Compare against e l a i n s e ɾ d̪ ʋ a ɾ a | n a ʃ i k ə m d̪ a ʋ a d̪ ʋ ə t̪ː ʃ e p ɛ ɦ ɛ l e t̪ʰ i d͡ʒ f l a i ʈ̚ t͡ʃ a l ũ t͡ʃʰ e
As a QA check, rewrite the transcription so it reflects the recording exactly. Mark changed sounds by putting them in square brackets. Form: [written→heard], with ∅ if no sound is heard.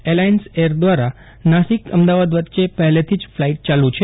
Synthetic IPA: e l a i n s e ɾ d̪ ʋ a ɾ a | n a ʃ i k ə m d̪ a ʋ a d̪ ʋ ə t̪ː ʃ e p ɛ ɦ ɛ l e t̪ʰ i d͡ʒ f l a i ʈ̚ t͡ʃ a l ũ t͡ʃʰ e

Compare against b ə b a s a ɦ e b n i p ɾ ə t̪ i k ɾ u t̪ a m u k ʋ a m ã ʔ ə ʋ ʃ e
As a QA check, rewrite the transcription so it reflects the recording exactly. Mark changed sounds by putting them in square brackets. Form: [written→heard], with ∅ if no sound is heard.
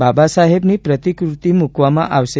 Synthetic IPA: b [ə→a] b a s a ɦ e b n i p ɾ ə t̪ i k ɾ u t̪ [a→i] m u k ʋ a m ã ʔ [ə→a] ʋ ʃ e

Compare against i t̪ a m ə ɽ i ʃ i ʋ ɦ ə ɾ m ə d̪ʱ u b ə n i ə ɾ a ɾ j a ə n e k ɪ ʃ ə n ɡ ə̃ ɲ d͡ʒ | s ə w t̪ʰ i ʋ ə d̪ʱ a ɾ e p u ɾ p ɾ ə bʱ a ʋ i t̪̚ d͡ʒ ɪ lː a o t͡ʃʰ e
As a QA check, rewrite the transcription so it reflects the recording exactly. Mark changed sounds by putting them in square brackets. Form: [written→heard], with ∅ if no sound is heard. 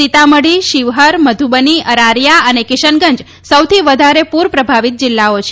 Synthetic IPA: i t̪ a m ə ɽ i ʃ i ʋ ɦ ə ɾ m ə d̪ʱ u b ə n i ə ɾ a ɾ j a ə n e k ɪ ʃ ə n ɡ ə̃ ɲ d͡ʒ | s ə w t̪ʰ i ʋ ə d̪ʱ a ɾ e p u ɾ p ɾ ə bʱ a ʋ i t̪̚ d͡ʒ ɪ lː a o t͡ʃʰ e

